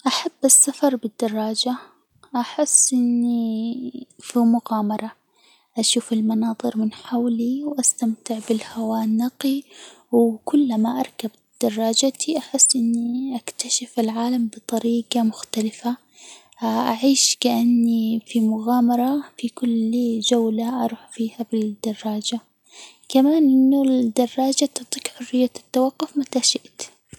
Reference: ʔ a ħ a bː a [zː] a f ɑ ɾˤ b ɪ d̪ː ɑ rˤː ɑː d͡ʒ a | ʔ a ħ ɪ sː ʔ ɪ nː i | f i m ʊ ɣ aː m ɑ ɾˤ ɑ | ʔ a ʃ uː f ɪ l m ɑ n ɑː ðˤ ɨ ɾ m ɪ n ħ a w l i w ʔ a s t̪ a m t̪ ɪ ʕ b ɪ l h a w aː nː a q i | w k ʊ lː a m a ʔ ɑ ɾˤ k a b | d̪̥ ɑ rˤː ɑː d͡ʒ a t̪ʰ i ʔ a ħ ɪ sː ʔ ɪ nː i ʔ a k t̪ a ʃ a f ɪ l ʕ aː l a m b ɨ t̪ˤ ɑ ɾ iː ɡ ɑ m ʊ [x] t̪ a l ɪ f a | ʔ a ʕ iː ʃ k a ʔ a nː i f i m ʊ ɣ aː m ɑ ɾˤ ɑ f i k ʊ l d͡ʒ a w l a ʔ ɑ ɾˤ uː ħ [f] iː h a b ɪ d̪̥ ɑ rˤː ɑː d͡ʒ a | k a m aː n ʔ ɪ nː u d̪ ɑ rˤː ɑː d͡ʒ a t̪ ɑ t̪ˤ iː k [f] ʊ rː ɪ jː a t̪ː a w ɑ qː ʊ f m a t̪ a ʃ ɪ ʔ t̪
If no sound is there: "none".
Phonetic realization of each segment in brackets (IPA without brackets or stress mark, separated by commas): sː, x, f, ħ